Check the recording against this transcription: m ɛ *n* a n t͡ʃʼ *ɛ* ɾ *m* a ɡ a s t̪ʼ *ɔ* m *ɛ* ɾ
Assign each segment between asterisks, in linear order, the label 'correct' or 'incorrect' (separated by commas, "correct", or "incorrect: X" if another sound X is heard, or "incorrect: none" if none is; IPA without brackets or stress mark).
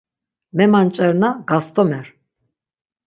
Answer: incorrect: m, correct, incorrect: n, correct, correct